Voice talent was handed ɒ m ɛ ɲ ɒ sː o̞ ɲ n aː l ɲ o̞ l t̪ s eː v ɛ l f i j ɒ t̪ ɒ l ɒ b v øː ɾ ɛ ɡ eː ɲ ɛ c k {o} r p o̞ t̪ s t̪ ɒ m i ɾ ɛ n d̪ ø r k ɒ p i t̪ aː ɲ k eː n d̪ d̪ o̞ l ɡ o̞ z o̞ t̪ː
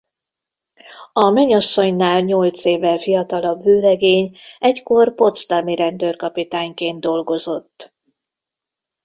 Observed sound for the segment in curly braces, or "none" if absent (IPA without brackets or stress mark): o